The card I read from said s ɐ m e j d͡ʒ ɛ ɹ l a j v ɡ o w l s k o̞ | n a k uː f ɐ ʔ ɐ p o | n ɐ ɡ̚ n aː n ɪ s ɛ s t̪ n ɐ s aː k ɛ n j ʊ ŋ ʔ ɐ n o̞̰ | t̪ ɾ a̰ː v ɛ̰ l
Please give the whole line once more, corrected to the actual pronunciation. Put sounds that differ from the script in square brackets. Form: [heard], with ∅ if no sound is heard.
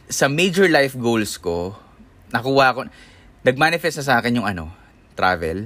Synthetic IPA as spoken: s ɐ m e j d͡ʒ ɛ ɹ l a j [f] ɡ o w l s k o̞ | n [ɐ] k uː [h] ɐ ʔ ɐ [k] o | n ɐ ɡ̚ [m] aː n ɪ [f] ɛ s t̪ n ɐ s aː k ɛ n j ʊ ŋ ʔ ɐ n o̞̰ | t̪ ɾ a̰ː v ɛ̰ l